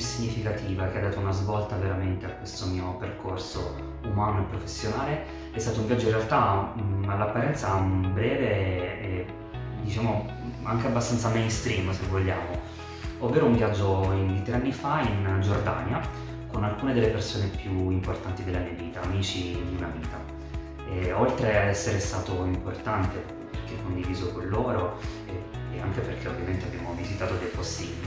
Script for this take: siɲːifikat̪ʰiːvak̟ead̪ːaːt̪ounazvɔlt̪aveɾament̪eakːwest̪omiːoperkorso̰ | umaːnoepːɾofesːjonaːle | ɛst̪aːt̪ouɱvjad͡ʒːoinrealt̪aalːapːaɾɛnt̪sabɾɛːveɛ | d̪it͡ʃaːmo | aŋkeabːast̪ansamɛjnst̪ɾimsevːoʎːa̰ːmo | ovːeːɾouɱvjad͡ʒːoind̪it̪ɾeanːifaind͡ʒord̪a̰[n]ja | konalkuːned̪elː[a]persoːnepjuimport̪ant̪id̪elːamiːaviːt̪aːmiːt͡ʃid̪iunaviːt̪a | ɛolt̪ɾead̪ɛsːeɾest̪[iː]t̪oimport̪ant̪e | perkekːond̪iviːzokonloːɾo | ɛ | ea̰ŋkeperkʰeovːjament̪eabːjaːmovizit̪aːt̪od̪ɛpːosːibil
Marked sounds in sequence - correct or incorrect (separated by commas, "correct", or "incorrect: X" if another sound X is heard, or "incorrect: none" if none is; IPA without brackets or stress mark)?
correct, incorrect: e, incorrect: aː